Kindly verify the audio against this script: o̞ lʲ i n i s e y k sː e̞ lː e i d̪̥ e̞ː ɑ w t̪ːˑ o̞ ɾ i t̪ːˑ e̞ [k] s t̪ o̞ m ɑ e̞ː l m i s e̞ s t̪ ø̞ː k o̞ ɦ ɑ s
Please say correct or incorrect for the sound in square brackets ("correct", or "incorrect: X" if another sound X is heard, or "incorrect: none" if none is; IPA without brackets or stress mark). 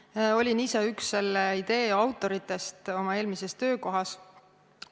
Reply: incorrect: none